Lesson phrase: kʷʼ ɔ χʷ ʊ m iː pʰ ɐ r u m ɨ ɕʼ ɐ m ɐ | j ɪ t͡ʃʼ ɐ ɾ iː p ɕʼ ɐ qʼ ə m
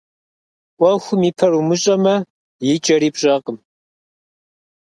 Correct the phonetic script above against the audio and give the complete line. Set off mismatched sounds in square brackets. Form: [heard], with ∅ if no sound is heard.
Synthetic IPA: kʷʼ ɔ [xʷ] ʊ m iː pʰ ɐ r u m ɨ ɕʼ ɐ m ɐ | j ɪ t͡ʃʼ ɐ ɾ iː p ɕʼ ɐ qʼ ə m